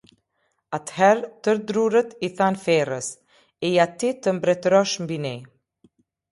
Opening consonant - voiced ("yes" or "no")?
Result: no